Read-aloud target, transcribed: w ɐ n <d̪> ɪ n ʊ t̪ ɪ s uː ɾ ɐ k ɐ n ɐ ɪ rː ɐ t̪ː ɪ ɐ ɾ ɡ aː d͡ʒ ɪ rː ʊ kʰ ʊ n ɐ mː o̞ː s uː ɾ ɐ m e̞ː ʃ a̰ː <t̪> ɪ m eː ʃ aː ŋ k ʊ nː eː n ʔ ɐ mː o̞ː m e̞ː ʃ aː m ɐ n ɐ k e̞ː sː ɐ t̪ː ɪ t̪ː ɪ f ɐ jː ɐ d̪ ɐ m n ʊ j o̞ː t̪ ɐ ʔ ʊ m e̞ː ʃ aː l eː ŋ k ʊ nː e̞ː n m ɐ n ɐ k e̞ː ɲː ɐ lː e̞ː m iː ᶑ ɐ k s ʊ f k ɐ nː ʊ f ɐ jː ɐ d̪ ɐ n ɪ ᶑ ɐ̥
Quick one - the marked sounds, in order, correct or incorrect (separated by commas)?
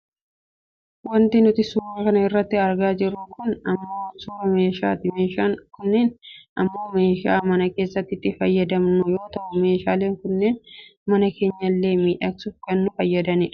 incorrect, correct